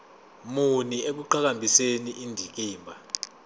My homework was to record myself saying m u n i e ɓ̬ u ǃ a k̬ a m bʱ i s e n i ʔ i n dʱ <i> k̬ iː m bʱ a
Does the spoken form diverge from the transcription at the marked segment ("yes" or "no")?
no